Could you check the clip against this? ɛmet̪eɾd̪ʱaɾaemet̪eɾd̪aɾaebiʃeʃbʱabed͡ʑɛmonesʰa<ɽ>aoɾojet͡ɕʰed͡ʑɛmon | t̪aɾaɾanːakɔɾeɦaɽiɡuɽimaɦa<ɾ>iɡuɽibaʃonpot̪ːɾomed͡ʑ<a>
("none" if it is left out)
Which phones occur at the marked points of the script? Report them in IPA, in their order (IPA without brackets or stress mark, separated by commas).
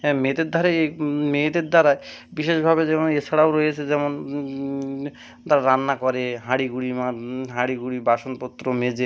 ɽ, ɽ, e